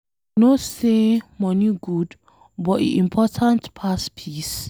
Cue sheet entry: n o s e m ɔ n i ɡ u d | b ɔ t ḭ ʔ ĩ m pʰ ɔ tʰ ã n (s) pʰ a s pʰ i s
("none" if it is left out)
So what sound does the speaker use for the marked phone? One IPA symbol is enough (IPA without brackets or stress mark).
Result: t